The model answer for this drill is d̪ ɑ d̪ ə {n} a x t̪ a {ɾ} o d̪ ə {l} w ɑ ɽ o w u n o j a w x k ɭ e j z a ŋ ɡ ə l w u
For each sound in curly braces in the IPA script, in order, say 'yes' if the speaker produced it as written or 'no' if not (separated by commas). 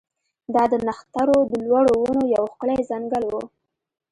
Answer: yes, yes, yes